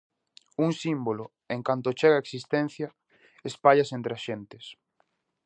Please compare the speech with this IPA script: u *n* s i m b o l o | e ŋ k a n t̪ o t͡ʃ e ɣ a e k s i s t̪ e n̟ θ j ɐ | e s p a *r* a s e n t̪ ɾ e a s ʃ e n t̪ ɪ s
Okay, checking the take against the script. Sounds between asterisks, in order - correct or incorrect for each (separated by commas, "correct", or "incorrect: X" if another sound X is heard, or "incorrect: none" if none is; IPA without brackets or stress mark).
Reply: incorrect: ŋ, incorrect: ʎ